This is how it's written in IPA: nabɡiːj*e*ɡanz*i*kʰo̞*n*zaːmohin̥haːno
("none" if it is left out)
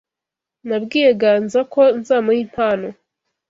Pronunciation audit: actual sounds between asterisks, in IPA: e, a, n

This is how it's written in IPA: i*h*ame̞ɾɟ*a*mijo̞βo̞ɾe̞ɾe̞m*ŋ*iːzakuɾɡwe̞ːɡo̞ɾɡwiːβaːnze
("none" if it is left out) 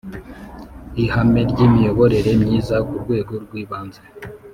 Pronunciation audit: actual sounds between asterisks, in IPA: h, i, ɲ

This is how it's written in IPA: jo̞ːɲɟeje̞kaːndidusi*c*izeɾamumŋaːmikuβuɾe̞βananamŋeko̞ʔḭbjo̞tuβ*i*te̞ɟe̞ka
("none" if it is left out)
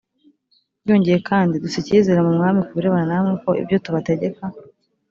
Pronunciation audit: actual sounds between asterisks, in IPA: c, a

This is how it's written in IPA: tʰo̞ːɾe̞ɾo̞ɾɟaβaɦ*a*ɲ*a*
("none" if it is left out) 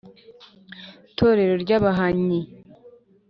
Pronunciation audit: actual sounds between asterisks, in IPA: a, i

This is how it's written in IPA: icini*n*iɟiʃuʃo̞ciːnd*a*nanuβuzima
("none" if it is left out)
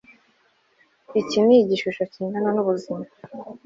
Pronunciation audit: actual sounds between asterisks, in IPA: none, a

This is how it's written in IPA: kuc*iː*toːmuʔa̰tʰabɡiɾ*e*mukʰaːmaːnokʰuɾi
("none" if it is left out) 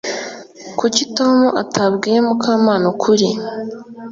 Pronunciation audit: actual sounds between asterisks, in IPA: i, e

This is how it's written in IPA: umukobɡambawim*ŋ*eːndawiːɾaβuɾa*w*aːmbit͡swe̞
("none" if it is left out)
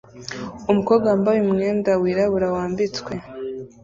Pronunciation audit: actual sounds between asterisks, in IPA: ŋ, w

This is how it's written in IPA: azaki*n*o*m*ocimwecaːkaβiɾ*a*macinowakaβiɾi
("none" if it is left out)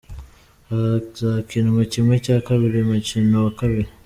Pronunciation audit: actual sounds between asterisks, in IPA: n, m, i

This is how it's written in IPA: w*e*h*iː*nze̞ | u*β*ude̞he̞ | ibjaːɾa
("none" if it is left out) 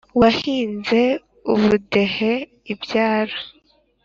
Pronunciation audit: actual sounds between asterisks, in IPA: a, iː, β

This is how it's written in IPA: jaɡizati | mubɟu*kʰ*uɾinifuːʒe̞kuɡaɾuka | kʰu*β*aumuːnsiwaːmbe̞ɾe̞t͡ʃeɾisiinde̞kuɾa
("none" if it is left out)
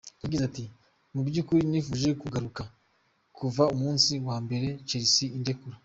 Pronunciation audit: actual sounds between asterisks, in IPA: k, v

